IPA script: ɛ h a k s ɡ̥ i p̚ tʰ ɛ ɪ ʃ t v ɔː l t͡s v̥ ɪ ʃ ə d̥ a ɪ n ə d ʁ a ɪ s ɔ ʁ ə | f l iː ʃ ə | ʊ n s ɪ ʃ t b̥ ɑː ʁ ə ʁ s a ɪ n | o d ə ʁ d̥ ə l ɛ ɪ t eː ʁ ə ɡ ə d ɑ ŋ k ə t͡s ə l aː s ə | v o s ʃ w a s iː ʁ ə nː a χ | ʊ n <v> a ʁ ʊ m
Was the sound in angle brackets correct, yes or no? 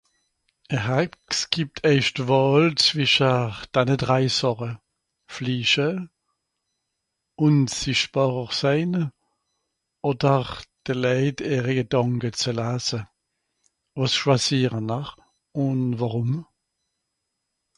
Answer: yes